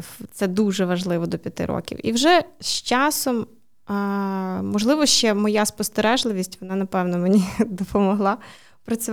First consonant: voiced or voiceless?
voiceless